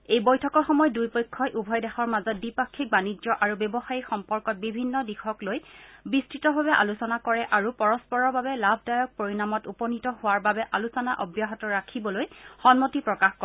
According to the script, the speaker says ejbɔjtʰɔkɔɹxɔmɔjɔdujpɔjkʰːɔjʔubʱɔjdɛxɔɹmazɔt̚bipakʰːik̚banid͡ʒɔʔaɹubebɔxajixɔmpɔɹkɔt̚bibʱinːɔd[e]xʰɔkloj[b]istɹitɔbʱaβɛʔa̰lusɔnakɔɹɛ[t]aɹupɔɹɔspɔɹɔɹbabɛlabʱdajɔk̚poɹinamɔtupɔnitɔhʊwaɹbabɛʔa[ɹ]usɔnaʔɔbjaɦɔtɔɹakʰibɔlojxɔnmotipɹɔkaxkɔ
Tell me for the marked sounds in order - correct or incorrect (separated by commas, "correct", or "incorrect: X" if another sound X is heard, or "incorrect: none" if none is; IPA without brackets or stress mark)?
incorrect: i, correct, incorrect: ʔ, incorrect: l